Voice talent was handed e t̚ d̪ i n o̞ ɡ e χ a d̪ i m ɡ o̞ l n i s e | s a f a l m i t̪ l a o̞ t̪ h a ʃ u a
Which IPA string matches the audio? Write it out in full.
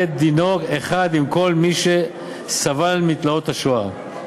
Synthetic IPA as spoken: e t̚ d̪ i n o̞ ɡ e χ a d̪ i m k o̞ l m i ʃ e | s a v a l m i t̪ l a o̞ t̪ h a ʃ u a